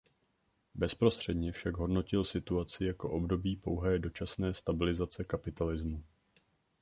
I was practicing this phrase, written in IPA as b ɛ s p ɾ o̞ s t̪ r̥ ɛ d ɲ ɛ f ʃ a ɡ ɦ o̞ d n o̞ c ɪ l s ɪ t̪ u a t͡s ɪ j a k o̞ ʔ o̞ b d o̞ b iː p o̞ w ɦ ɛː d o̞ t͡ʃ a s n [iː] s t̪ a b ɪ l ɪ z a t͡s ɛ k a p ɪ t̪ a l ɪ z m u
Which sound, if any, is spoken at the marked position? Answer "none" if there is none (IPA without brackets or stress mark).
ɛː